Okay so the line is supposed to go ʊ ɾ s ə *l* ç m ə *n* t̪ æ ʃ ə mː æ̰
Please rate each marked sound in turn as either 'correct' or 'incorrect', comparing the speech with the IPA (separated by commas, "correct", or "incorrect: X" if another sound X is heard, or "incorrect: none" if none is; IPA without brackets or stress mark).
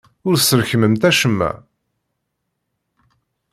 incorrect: ɾ, incorrect: m